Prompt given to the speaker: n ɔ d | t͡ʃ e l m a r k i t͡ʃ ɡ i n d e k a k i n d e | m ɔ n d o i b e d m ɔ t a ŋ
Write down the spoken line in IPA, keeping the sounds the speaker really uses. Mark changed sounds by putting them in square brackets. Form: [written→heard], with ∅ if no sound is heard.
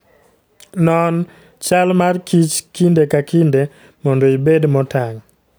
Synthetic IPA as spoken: n ɔ [d→n] | t͡ʃ [e→a] l m a r k i t͡ʃ [ɡ→k] i n d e k a k i n d e | m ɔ n d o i b e d m ɔ t a ŋ